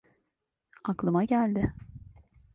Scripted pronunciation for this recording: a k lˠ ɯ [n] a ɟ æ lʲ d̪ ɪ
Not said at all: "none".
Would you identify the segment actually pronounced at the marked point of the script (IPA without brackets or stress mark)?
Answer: m